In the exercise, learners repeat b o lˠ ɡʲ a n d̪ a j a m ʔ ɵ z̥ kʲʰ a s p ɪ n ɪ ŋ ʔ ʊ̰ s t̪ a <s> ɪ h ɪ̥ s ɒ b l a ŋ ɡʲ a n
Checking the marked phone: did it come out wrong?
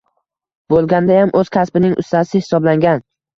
no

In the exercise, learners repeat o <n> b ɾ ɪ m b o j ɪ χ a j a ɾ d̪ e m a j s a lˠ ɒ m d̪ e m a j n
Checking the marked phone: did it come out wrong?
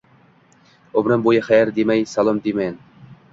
yes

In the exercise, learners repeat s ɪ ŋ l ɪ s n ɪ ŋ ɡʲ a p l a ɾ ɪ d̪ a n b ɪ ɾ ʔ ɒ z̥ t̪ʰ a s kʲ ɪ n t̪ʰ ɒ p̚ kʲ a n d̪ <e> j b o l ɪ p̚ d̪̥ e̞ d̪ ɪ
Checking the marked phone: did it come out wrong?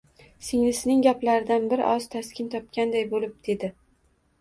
yes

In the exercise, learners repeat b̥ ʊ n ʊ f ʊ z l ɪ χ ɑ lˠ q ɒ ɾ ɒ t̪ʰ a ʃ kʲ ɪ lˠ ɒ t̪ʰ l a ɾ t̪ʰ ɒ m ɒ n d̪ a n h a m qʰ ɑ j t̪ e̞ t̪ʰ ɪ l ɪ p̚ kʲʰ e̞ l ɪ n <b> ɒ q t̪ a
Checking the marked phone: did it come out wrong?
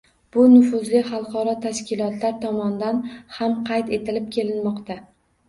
yes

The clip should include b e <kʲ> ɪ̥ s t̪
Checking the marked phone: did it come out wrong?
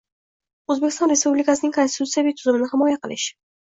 no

